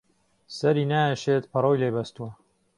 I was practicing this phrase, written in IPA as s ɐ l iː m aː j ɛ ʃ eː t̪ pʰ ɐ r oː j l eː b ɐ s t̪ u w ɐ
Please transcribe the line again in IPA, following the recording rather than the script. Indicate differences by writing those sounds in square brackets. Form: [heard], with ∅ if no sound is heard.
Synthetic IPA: s ɐ [ɾ] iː [n] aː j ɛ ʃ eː t̪ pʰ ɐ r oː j l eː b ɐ s t̪ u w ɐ